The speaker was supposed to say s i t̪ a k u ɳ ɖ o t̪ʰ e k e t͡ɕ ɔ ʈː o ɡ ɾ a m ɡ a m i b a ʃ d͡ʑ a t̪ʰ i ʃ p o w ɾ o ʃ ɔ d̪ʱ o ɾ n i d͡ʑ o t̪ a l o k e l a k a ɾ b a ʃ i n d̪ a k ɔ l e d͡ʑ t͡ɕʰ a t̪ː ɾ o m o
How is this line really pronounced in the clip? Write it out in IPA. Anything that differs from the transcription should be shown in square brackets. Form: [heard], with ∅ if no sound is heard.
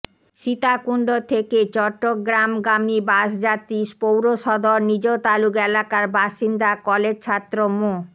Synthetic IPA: [ʃ] i t̪ a k u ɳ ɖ o t̪ʰ e k e t͡ɕ ɔ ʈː o ɡ ɾ a m ɡ a m i b a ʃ d͡ʑ a [t̪] i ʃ p o w ɾ o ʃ ɔ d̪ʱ o ɾ n i d͡ʑ o t̪ a l [u] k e l a k a ɾ b a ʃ i n d̪ a k ɔ l e d͡ʑ t͡ɕʰ a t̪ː ɾ o m o